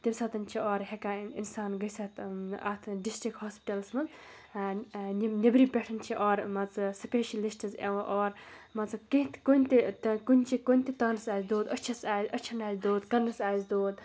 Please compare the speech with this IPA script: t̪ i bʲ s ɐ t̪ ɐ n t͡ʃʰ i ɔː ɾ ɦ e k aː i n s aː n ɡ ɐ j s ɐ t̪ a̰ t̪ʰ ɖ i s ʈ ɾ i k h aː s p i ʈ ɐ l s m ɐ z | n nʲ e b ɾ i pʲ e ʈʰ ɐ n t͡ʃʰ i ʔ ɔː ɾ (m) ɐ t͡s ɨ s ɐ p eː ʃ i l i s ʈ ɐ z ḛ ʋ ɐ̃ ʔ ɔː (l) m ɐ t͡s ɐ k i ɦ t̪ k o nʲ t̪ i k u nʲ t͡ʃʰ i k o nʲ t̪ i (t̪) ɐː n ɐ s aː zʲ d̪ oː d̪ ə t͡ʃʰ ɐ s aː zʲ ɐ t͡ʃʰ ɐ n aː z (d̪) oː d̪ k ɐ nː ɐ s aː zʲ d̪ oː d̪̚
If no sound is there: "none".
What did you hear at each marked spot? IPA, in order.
m, ɾ, t̪, d̪

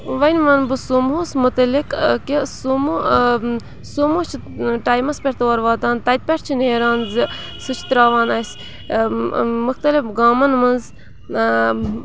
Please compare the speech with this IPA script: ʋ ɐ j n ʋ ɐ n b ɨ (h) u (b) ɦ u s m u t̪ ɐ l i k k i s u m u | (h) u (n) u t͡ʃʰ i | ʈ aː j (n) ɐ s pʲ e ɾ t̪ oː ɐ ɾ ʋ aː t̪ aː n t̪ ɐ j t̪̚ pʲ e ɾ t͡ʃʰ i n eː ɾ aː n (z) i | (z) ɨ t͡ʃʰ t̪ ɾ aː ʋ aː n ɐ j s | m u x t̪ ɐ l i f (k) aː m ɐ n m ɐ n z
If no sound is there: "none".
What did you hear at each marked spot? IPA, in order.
s, m, s, m, m, z, s, ɡ

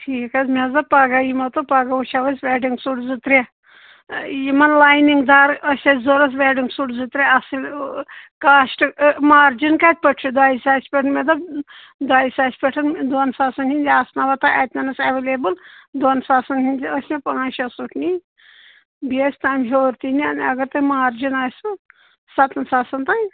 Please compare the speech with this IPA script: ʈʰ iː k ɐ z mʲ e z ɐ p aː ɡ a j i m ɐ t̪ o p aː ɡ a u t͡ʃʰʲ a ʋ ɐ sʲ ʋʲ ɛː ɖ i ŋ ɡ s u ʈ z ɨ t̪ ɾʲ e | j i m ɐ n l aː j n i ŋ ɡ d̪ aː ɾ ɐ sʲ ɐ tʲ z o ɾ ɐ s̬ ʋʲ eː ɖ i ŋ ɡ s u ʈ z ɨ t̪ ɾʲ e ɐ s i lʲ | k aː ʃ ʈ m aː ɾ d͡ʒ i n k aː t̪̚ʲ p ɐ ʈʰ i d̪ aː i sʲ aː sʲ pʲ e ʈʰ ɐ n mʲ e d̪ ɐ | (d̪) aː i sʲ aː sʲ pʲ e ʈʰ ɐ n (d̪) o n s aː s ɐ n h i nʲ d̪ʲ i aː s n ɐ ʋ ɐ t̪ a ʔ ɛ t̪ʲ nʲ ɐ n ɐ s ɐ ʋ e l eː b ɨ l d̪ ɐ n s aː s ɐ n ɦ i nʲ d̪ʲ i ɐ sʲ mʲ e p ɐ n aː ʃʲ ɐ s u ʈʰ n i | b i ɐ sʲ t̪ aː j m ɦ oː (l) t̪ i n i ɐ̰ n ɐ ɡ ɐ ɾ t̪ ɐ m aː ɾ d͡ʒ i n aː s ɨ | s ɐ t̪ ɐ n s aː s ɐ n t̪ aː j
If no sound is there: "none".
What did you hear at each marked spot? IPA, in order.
d̪, d̪, ɾ

